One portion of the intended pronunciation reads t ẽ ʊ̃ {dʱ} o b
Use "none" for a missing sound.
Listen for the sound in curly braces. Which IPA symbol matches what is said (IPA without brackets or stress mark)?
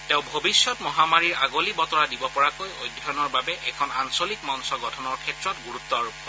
bʱ